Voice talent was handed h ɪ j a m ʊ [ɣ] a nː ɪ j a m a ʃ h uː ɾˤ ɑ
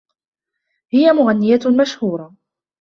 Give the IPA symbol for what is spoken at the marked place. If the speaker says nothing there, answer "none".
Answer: ɣ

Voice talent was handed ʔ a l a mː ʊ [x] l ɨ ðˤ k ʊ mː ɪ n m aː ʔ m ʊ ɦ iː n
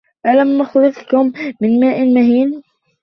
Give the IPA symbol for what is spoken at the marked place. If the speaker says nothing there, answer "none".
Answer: x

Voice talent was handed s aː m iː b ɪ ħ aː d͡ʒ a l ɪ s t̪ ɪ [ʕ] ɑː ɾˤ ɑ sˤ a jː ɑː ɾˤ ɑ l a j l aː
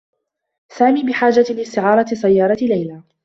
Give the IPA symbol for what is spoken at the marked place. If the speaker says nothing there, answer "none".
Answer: ʕ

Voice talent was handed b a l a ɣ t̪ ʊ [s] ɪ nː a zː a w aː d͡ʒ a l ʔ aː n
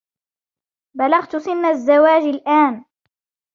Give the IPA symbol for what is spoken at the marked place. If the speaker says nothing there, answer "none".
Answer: s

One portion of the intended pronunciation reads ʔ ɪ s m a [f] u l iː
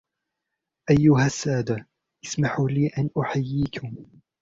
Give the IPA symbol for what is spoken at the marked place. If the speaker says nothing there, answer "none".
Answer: ħ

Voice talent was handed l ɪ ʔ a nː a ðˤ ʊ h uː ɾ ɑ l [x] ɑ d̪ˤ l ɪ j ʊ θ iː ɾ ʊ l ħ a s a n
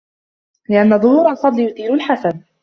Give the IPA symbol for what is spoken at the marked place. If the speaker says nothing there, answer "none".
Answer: f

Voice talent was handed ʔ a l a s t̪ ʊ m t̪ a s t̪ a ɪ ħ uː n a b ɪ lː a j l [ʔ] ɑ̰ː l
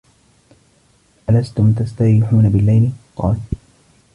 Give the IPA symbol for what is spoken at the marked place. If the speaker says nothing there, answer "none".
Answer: q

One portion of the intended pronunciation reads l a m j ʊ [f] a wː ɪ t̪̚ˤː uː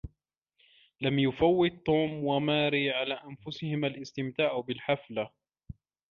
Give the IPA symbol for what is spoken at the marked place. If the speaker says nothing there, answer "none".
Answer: f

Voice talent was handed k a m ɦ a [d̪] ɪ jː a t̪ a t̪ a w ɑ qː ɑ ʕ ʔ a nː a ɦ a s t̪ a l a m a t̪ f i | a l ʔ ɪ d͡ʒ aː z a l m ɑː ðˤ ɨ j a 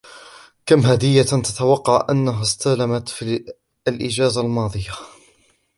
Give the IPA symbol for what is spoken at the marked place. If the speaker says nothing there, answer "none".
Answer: d̪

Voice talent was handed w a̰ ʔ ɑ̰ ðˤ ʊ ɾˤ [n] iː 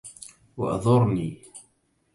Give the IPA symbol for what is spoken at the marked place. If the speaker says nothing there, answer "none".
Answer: n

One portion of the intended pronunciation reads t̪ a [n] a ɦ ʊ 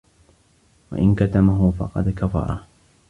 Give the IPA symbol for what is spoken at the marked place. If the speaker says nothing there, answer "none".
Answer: m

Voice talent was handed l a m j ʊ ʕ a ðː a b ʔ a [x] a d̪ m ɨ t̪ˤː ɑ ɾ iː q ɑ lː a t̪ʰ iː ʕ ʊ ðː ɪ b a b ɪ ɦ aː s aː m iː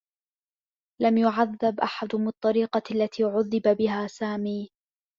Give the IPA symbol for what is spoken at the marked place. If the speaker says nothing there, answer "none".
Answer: ħ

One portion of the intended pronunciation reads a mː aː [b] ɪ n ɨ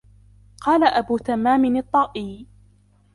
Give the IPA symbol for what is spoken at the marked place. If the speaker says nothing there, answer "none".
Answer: m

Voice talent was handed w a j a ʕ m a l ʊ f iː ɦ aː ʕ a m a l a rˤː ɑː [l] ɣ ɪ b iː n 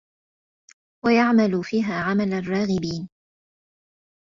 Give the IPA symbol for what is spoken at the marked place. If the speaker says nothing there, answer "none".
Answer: none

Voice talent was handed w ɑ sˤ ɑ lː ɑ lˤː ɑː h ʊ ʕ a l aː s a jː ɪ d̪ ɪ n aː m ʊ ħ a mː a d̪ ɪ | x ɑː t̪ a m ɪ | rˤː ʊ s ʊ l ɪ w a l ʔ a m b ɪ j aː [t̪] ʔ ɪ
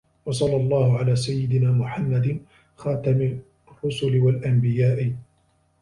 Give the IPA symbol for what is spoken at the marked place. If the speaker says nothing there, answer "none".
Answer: none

